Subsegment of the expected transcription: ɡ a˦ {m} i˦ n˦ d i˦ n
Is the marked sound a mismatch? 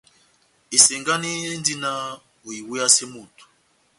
yes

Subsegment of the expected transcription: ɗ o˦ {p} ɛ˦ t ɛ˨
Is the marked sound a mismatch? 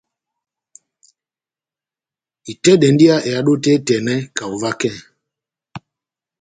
yes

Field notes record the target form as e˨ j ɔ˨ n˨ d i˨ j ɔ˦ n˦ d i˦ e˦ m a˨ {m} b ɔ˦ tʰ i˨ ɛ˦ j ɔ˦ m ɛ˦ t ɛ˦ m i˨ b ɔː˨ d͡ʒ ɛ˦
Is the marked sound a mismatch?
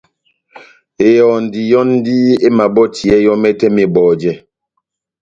yes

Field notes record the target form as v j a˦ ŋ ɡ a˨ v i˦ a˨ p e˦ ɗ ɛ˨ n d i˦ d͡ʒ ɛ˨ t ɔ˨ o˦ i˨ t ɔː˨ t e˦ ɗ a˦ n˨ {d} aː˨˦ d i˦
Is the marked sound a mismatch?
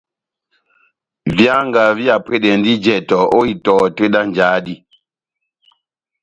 yes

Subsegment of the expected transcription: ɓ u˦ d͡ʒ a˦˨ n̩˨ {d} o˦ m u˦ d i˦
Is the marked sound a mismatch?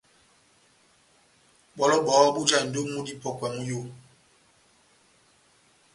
no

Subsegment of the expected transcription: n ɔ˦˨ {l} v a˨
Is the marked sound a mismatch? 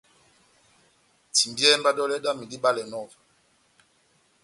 yes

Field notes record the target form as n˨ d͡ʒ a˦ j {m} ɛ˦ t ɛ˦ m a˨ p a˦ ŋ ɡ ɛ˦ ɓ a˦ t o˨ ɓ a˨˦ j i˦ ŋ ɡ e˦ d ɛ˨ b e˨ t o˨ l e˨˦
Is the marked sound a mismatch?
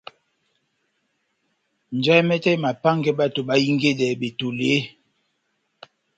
no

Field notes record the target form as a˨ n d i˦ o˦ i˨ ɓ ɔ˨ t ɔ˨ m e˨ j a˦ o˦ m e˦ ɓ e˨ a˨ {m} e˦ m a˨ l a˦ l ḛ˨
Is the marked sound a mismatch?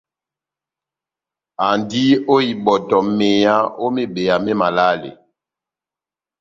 no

